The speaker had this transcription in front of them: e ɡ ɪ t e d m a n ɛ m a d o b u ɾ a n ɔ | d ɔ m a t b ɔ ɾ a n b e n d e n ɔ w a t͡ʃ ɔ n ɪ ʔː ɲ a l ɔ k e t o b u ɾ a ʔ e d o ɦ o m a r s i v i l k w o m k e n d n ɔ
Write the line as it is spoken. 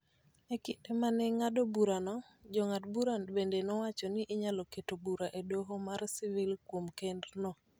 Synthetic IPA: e k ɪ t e m a n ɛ ŋ a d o b u ɾ a n ɔ | d͡ʒ ɔ ŋ a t b u ɾ a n b e n d e n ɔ w a t͡ʃ ɔ n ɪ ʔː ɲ a l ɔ k e t o b u ɾ a ʔ e d o ɦ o m a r s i v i l k w o m k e n d n ɔ